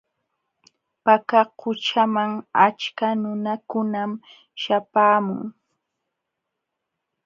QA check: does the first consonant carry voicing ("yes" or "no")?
no